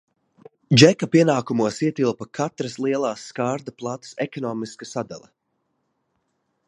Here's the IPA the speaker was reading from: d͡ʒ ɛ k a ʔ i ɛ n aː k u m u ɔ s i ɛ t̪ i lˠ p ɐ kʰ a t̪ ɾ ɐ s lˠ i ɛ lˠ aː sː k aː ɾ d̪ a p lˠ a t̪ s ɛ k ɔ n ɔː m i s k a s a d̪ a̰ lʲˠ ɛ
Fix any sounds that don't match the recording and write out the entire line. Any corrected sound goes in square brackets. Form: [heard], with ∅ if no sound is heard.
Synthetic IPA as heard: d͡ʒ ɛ k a [p] i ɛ n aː k u m u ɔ s i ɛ t̪ i lˠ p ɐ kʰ a t̪ ɾ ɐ s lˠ i ɛ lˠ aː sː k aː ɾ d̪ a p lˠ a t̪ s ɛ k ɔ n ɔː m i s k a s a d̪ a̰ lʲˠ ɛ